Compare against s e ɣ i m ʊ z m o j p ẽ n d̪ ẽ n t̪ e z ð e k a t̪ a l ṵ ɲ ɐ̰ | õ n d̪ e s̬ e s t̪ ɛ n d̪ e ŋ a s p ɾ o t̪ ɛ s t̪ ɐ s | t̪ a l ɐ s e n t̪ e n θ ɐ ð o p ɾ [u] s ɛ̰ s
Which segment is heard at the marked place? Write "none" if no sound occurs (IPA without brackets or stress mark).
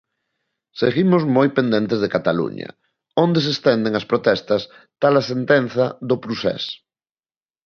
u